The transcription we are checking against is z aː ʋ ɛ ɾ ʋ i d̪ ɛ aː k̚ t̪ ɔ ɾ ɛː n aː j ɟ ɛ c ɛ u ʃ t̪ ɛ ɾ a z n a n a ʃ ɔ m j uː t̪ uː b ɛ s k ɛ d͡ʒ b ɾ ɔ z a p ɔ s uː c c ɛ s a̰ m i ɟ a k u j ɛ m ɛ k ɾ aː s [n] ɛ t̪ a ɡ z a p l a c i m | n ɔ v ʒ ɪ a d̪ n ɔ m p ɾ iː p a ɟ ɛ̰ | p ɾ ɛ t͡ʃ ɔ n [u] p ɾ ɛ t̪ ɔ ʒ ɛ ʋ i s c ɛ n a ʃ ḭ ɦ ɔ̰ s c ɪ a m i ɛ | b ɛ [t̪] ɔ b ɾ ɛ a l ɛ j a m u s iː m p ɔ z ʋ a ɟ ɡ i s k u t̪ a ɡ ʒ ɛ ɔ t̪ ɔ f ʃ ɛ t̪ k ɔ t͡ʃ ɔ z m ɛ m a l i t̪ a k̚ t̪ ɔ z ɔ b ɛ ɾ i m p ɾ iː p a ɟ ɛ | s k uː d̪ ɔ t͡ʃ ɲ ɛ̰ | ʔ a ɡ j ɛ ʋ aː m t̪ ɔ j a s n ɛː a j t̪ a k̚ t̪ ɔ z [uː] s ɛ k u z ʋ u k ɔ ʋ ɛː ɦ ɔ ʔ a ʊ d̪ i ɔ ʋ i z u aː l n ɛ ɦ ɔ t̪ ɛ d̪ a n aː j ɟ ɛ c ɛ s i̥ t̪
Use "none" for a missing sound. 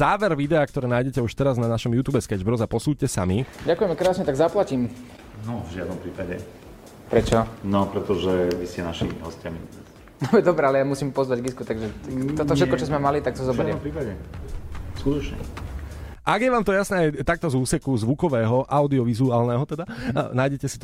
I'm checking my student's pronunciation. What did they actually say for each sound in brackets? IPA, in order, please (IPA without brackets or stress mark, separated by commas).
ɲ, ɔ, d̪, uː